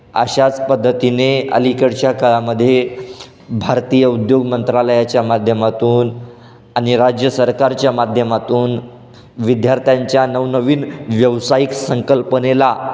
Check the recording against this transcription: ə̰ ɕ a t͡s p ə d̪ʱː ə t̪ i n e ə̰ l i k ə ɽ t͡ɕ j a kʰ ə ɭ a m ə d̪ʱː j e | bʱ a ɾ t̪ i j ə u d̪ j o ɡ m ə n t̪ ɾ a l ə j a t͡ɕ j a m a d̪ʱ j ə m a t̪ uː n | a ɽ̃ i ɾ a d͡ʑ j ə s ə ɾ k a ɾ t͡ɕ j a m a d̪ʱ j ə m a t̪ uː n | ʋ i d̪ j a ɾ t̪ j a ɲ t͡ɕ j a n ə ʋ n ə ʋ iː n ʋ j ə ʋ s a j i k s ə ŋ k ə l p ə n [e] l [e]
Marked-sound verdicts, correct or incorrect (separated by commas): correct, incorrect